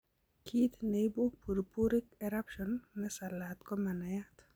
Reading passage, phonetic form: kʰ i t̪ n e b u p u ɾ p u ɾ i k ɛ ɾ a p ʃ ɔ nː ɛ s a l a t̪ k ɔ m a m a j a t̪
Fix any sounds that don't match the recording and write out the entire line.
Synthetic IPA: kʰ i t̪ n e b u p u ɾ p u ɾ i k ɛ ɾ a p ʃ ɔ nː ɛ s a l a t̪ k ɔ m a n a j a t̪